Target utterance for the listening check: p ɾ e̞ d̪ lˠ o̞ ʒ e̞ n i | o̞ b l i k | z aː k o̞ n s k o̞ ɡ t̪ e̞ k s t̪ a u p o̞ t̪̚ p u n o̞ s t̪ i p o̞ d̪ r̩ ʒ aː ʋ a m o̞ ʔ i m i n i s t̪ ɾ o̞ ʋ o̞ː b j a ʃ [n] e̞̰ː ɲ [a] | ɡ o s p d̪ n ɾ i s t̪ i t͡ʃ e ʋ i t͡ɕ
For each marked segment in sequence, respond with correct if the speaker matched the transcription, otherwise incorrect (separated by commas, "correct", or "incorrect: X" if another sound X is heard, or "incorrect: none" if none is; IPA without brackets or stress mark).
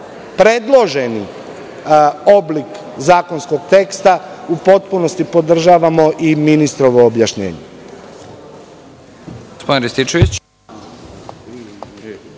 incorrect: ɲ, incorrect: e